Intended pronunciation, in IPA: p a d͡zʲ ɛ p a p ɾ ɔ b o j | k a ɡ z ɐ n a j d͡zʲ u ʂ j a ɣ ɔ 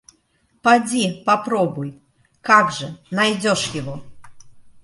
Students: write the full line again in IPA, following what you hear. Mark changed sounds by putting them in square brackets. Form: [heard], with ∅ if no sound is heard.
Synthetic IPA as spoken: p a d͡zʲ [i] p a p ɾ ɔ b [u] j | k a ɡ [ʐ] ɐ n a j d͡zʲ [ɔ] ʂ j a ɣ ɔ